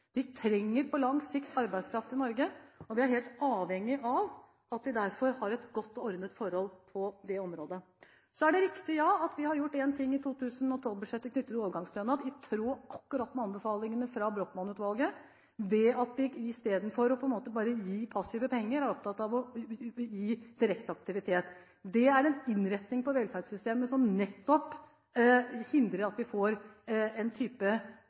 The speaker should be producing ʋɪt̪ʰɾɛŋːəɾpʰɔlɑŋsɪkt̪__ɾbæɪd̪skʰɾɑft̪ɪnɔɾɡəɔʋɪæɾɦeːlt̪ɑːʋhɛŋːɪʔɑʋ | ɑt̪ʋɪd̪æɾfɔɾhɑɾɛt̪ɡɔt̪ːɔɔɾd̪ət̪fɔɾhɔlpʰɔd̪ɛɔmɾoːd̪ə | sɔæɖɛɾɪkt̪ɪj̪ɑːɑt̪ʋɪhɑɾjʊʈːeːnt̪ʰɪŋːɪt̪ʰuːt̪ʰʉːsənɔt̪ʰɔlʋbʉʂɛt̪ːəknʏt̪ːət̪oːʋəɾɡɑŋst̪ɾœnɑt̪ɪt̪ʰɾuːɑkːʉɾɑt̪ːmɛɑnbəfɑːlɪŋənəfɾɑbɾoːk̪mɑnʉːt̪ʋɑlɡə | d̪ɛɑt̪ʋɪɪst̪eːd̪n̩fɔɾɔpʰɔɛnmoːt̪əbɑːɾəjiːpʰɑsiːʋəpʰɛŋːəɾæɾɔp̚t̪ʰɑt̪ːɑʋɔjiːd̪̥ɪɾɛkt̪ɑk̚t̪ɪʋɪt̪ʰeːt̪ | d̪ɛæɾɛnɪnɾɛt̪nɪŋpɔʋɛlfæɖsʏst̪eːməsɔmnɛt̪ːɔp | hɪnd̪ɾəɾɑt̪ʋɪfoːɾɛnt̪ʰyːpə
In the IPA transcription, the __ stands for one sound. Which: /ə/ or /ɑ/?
ɑ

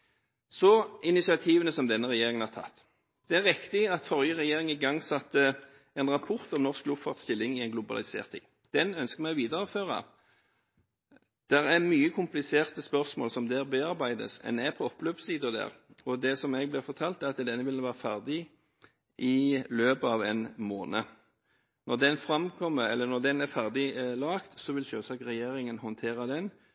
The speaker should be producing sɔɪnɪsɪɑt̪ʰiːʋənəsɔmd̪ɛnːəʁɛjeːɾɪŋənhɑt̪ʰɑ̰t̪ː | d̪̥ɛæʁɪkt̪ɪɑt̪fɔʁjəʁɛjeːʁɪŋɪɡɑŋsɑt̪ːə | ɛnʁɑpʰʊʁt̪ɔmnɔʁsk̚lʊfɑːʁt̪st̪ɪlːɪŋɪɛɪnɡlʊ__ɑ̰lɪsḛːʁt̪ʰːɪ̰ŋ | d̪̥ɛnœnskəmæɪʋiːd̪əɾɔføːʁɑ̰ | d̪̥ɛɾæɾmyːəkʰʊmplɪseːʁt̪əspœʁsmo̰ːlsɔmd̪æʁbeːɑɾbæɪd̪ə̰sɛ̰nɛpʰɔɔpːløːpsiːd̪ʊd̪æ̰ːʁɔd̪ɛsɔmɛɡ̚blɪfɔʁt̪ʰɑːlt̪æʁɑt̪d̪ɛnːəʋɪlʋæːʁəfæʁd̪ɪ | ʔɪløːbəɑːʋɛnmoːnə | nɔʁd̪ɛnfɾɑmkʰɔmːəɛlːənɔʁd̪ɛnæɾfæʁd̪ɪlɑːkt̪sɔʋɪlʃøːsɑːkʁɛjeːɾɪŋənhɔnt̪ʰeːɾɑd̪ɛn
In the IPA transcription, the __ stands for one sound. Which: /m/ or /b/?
b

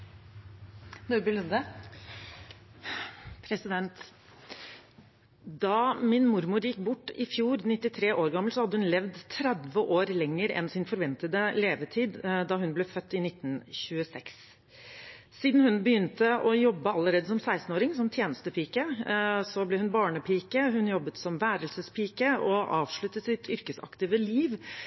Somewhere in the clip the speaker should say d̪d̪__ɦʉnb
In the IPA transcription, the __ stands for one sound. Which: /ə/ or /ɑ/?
ɑ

